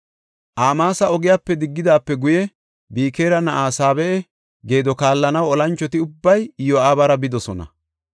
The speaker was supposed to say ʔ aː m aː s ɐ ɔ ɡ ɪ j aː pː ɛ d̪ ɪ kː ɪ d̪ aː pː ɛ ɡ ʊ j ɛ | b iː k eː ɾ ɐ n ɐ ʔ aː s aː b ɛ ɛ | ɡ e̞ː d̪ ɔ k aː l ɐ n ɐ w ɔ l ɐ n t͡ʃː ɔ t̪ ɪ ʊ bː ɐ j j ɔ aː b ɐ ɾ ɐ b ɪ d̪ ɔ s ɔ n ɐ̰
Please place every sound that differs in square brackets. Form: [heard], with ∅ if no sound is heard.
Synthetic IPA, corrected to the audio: ʔ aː m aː s ɐ ɔ ɡ ɪ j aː pː ɛ d̪ ɪ [ɡː] ɪ d̪ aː pː ɛ ɡ ʊ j ɛ | b iː k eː ɾ ɐ n ɐ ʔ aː s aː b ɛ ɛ | ɡ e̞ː d̪ ɔ k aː [lː] ɐ n ɐ w ɔ l ɐ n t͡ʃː ɔ t̪ ɪ ʊ bː ɐ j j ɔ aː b ɐ ɾ ɐ b ɪ d̪ ɔ s ɔ n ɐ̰